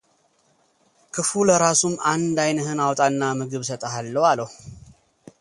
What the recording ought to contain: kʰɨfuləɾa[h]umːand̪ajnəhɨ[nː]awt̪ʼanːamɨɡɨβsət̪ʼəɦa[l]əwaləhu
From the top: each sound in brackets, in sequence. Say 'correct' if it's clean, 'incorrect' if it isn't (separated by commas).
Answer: incorrect, incorrect, incorrect